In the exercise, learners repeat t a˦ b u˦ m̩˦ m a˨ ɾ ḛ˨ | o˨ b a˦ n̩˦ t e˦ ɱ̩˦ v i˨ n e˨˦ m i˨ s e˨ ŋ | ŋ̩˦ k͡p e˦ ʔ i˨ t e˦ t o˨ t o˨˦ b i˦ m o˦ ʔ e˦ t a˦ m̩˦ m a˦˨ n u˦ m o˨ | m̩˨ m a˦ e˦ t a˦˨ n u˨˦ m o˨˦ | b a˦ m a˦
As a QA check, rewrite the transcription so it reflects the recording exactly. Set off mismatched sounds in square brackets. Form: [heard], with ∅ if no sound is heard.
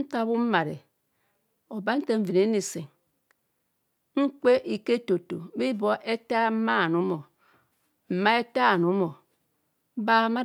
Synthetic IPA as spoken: t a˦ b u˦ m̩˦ m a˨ ɾ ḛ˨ | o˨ b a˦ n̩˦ t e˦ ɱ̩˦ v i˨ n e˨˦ [n] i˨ s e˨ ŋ | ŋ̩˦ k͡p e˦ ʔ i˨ [k] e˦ t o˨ t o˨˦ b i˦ [b] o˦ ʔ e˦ t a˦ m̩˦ m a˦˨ n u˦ m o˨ | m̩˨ m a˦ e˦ t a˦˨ n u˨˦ m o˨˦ | b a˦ m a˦

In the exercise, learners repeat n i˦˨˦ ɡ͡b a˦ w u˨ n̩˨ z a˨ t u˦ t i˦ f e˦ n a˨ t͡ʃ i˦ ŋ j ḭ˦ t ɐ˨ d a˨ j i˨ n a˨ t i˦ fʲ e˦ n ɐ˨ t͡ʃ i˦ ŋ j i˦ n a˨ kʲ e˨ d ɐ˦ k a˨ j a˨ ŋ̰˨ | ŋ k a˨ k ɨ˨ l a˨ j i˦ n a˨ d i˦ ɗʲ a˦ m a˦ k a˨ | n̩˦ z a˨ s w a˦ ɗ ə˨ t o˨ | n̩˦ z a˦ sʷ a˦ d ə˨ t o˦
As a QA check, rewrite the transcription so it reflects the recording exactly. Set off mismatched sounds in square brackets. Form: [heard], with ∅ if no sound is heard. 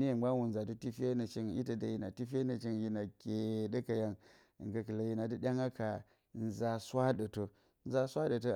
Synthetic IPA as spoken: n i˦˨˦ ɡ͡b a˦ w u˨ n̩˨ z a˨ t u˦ t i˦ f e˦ n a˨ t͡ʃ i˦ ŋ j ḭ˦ t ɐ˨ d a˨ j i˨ n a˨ t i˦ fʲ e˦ n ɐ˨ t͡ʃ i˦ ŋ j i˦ n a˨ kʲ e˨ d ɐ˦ k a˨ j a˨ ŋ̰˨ | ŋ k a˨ k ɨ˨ l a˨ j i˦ n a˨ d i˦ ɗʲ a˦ [ŋ] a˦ k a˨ | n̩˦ z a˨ s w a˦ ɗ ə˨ t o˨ | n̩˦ z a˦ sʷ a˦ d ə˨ t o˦

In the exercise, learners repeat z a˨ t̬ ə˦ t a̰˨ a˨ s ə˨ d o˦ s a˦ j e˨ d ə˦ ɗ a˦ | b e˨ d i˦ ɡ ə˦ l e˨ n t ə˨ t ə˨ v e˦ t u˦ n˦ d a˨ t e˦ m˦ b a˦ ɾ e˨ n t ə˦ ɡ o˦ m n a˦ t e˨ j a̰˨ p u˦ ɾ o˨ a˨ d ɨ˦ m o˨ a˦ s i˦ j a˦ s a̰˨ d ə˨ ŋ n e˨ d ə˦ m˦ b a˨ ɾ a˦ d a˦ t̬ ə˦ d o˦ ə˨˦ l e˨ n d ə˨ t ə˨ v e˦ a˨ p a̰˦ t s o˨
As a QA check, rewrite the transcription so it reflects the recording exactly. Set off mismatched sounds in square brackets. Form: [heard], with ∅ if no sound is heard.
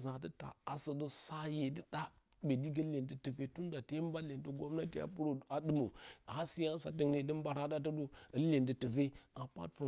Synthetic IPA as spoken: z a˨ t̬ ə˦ t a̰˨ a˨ s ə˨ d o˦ s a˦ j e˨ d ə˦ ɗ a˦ | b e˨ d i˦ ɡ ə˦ l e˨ n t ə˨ t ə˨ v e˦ t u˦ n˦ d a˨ t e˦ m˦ b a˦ [l] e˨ n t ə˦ ɡ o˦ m n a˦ t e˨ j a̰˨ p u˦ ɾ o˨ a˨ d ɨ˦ m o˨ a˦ s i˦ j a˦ s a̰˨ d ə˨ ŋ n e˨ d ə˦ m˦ b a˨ ɾ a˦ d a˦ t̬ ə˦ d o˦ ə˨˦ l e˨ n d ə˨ t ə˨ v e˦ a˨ p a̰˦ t [f] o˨

